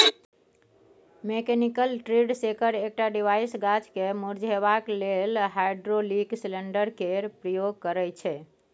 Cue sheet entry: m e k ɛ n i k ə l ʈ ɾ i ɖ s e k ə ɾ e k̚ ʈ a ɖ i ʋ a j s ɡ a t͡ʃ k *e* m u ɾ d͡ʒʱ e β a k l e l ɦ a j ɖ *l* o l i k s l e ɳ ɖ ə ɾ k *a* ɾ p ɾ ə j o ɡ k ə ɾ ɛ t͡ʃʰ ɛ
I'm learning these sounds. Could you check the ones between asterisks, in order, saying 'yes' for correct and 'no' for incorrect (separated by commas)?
yes, no, no